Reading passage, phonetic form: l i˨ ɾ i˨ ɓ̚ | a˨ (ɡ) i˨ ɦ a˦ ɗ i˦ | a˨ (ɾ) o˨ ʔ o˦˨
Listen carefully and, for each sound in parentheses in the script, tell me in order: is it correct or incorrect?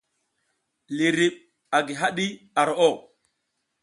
correct, correct

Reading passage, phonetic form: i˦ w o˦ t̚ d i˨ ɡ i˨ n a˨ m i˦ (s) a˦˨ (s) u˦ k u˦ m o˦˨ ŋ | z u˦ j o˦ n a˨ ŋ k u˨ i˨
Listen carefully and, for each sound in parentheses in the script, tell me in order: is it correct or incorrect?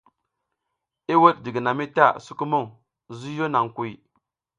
incorrect, correct

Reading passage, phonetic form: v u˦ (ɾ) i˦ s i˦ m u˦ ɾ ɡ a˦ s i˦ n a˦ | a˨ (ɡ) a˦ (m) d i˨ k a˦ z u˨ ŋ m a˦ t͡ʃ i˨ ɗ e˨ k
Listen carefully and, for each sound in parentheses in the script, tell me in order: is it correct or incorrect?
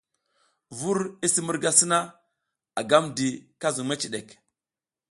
correct, correct, correct

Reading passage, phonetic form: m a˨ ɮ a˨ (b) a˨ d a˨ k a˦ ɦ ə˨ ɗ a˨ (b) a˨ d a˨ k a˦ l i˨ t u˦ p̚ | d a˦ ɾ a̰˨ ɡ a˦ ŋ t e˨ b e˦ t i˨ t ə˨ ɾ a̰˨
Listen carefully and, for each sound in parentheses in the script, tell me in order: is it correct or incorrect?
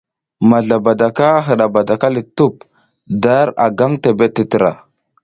correct, correct

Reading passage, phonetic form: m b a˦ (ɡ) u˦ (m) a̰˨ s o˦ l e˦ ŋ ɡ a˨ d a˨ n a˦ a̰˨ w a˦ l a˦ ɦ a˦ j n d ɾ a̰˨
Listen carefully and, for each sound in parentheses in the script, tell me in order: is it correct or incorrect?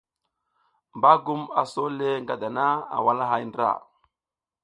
correct, correct

